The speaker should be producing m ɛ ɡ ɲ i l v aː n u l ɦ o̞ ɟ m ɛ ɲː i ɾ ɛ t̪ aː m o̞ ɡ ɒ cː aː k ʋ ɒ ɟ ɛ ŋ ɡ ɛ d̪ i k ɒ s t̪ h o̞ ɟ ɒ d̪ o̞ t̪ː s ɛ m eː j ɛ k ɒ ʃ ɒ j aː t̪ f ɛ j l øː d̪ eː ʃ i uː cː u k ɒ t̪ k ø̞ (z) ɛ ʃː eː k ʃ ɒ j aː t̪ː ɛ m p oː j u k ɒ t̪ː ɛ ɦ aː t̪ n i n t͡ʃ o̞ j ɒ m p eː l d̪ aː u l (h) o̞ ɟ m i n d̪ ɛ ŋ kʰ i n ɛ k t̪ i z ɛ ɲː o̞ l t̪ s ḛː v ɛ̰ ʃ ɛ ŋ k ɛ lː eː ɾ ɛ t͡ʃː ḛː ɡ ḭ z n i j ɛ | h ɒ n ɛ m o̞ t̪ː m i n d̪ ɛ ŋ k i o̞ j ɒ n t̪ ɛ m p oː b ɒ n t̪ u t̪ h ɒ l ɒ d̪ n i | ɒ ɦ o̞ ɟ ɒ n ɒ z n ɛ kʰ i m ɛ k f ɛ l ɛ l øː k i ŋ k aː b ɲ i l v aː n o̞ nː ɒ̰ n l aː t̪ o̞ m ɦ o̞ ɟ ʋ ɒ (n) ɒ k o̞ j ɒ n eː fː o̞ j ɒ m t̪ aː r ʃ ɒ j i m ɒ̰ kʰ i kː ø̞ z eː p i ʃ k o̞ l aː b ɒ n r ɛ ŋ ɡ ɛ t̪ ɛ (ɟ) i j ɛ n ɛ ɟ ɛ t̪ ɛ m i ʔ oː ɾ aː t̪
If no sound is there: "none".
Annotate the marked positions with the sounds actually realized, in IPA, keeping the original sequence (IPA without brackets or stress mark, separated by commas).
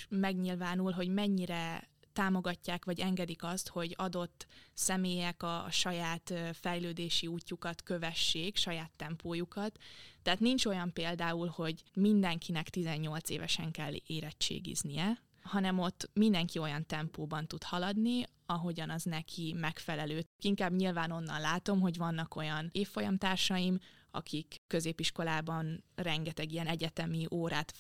v, h, nː, ɡ